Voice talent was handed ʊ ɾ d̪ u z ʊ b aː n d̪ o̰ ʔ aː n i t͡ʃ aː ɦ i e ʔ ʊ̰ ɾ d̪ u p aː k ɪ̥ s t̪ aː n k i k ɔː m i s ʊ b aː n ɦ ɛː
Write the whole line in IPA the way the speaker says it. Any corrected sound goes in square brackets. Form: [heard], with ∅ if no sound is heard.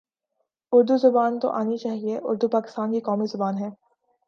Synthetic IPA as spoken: ʊ ɾ d̪ u z ʊ b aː n [t̪] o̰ ʔ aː n i t͡ʃ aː ɦ i e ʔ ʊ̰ ɾ d̪ u p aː k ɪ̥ s t̪ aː n k i k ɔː m i [z] ʊ b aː n ɦ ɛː